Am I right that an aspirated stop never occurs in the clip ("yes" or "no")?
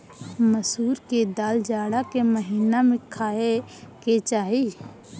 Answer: no